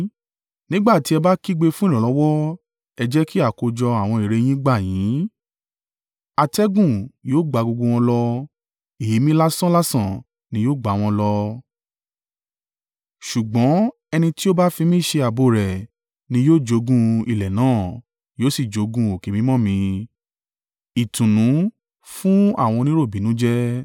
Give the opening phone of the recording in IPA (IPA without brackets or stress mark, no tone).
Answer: n